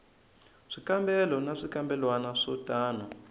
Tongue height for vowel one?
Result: high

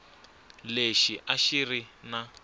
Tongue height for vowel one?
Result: mid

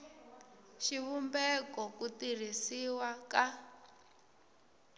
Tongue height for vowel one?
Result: high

